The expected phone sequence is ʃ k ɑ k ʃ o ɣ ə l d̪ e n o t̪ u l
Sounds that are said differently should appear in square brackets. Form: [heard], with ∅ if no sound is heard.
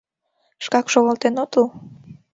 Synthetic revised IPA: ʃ k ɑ k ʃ o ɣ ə l [t̪] e n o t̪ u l